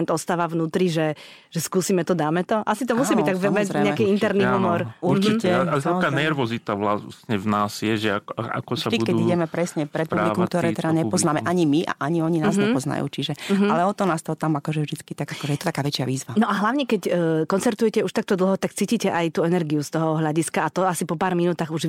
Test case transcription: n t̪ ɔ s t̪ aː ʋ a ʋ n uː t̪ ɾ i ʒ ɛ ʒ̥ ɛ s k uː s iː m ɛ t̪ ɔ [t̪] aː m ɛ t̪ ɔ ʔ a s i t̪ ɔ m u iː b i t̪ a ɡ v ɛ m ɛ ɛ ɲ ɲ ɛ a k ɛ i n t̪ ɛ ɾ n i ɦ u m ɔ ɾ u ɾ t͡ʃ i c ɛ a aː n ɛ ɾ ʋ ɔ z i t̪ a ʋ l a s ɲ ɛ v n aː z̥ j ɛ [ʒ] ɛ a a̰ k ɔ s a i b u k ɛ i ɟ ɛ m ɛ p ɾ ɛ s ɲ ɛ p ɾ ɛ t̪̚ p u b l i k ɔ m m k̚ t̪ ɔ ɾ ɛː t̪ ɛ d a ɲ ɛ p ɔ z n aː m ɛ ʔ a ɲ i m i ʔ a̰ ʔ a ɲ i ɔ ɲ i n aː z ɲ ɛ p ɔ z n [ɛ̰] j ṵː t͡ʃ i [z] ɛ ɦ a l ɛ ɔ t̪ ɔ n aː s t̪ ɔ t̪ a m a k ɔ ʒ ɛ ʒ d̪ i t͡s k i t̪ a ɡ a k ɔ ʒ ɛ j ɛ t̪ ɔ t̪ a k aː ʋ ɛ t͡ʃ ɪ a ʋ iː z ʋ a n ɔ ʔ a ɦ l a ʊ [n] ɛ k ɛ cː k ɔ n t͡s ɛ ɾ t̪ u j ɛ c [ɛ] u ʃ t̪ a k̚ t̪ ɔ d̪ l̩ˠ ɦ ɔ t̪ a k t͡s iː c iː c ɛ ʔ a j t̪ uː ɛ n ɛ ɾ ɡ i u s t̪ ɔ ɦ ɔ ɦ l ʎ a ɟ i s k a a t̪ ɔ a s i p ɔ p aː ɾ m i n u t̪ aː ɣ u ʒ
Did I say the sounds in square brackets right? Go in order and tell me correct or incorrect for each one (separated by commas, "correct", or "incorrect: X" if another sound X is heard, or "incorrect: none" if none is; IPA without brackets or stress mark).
incorrect: d̪, correct, incorrect: a̰, incorrect: ʒ, incorrect: ɲ, correct